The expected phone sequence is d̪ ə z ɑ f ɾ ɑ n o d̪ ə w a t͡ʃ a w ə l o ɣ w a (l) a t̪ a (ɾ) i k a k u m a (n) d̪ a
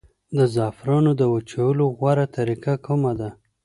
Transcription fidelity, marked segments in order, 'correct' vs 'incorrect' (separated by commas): incorrect, correct, incorrect